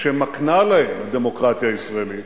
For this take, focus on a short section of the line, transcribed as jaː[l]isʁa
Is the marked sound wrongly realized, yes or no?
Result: yes